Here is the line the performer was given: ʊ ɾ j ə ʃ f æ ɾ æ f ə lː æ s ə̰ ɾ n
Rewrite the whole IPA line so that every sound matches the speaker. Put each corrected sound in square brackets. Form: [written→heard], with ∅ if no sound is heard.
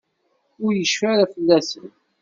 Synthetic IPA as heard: ʊ ɾ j ə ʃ f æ ɾ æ f ə lː æ s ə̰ [ɾ→∅] n